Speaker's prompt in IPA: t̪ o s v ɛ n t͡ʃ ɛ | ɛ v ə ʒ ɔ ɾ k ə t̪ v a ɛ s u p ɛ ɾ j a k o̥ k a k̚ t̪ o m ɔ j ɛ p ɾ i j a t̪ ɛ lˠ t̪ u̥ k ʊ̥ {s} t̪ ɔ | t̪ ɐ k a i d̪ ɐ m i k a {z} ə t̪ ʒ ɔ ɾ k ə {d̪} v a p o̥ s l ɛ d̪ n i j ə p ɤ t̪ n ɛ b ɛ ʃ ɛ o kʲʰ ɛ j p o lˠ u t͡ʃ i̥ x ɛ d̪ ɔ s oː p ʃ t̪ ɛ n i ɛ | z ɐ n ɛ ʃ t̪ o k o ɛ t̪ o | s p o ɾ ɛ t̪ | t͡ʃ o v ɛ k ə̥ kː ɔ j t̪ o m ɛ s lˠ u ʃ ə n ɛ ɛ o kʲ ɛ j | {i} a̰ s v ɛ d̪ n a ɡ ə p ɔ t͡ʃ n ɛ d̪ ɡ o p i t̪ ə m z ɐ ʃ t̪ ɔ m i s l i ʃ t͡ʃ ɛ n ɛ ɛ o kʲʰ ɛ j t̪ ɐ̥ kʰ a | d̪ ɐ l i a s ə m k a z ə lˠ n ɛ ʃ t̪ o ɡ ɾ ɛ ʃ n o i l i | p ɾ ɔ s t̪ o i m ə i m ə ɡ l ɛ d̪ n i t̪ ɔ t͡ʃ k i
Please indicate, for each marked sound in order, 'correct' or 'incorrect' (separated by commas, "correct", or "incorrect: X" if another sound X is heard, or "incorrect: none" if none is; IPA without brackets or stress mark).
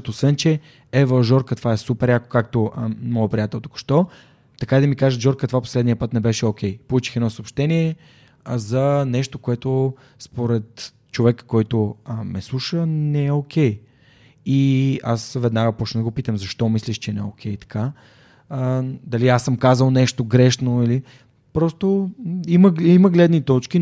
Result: incorrect: ʃ, incorrect: ʒ, incorrect: t̪, correct